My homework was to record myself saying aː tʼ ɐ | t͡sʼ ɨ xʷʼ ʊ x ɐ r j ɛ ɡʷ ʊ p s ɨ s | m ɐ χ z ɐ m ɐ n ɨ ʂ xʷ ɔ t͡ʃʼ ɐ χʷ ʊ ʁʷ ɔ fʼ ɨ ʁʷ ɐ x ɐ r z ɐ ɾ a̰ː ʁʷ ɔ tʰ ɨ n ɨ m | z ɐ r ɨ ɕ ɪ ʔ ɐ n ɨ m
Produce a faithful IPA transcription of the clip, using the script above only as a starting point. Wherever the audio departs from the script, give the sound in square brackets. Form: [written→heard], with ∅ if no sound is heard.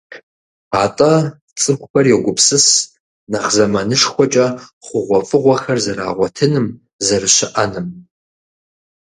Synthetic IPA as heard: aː tʼ ɐ | t͡sʼ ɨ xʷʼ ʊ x ɐ r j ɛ ɡʷ ʊ p s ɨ s | [m→n] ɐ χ z ɐ m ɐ n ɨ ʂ xʷ ɔ t͡ʃʼ ɐ χʷ ʊ ʁʷ ɔ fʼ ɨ ʁʷ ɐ x ɐ r z ɐ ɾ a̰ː ʁʷ ɔ tʰ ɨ n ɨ m | z ɐ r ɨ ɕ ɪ ʔ ɐ n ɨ m